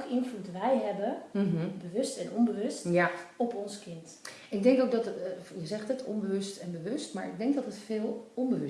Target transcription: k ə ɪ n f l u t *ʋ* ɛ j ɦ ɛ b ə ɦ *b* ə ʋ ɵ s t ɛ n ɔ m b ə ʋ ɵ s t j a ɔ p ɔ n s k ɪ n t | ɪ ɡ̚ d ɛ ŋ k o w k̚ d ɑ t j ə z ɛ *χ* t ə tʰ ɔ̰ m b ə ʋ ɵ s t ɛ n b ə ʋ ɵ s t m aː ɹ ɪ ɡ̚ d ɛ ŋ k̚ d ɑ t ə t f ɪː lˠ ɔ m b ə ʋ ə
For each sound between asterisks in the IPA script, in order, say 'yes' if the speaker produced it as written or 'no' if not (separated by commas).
yes, yes, yes